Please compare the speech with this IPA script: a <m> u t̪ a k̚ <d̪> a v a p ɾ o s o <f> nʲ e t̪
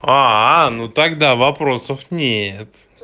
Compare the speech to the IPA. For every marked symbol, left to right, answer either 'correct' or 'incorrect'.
incorrect: n, correct, correct

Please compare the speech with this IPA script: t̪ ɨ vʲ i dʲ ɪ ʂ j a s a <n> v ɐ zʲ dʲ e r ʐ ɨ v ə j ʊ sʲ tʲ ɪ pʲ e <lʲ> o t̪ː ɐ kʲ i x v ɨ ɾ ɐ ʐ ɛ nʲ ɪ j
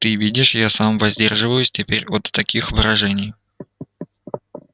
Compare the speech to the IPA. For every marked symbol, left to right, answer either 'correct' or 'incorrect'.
incorrect: m, incorrect: ɾʲ

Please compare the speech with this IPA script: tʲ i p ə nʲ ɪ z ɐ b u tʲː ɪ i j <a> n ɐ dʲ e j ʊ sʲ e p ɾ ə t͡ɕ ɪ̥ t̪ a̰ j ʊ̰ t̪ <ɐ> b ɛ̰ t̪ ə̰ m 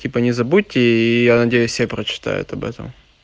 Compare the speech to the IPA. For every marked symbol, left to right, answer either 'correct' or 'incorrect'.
correct, correct

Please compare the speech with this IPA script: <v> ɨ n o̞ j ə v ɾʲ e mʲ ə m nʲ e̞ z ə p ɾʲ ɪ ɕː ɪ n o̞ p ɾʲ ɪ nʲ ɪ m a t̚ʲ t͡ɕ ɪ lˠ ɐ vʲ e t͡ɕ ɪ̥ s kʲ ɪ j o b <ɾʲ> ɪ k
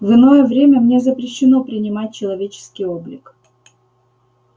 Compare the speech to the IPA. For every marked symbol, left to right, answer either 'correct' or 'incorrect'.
correct, incorrect: lʲ

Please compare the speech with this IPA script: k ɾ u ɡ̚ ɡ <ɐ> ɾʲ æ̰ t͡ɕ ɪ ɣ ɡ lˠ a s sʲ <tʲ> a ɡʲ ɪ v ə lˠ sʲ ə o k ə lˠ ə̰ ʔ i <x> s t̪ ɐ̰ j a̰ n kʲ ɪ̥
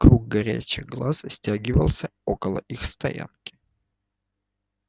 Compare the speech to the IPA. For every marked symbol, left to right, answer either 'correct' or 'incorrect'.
correct, correct, correct

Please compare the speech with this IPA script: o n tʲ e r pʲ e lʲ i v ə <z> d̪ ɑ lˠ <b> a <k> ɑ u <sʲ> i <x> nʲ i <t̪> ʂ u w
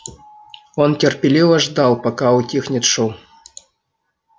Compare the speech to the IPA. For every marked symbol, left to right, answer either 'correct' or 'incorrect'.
incorrect: ʐ, incorrect: p, correct, incorrect: tʲ, correct, correct

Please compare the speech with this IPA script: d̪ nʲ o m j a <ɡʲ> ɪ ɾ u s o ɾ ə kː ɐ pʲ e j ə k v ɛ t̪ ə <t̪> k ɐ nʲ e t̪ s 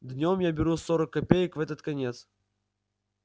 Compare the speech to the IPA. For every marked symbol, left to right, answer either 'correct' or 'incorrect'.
incorrect: bʲ, correct

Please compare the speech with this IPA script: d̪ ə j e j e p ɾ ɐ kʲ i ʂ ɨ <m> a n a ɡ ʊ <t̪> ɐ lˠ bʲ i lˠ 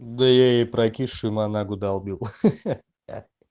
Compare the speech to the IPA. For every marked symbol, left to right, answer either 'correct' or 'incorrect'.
correct, incorrect: d̪

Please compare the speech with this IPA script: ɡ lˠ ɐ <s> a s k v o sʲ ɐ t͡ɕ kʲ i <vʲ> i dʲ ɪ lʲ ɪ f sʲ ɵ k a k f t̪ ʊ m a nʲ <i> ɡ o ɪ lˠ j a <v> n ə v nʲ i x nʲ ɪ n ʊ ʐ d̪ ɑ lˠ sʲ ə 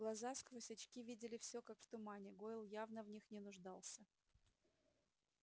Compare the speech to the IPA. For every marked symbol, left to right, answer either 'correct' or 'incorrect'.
incorrect: z, correct, incorrect: ɪ, correct

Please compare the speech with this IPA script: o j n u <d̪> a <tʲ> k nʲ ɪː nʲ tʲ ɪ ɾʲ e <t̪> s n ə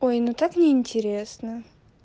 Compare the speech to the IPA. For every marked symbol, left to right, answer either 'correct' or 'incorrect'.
incorrect: t̪, incorrect: none, incorrect: none

